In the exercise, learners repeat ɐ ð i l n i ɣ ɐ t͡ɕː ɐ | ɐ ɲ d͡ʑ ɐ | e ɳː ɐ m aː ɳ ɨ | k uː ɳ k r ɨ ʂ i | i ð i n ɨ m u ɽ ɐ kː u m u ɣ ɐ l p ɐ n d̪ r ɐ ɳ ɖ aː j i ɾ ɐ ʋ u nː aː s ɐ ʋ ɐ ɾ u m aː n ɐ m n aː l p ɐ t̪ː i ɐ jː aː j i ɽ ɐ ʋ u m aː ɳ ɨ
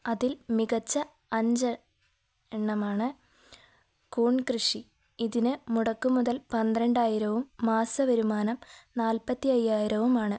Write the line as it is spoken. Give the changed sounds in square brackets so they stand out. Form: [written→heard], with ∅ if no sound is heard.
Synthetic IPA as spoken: ɐ ð i l [n→m] i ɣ ɐ t͡ɕː ɐ | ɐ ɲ d͡ʑ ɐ | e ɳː ɐ m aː ɳ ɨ | k uː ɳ k r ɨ ʂ i | i ð i n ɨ m u ɽ ɐ kː u m u [ɣ→ð] ɐ l p ɐ n d̪ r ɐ ɳ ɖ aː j i ɾ ɐ ʋ u [nː→mː] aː s ɐ ʋ ɐ ɾ u m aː n ɐ m n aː l p ɐ t̪ː i ɐ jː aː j i [ɽ→ɾ] ɐ ʋ u m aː ɳ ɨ